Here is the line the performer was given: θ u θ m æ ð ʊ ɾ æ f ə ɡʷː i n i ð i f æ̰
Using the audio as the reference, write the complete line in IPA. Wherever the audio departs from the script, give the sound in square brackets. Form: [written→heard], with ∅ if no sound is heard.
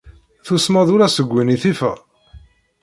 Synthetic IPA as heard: θ u [θ→s] m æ ð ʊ ɾ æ [f→s] ə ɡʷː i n i [ð→θ] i f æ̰